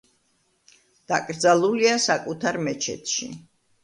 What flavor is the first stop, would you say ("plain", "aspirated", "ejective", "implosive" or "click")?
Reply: plain